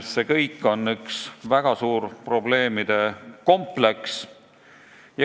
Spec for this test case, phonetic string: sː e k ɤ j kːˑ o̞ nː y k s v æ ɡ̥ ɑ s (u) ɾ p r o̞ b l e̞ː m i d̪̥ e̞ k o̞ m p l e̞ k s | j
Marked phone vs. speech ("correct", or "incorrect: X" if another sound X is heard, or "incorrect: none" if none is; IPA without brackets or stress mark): incorrect: uː